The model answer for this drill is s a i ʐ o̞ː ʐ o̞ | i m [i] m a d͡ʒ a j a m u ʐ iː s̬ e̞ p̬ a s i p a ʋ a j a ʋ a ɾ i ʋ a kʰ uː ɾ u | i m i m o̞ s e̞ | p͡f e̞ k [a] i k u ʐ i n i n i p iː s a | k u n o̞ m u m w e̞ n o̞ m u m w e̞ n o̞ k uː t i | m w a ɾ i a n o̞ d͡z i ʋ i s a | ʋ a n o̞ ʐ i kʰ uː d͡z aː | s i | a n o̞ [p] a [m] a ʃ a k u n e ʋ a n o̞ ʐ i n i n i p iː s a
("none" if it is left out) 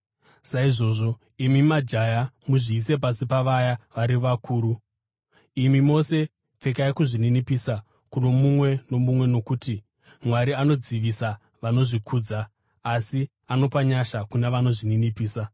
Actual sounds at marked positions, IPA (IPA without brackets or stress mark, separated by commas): i, a, p, ɲ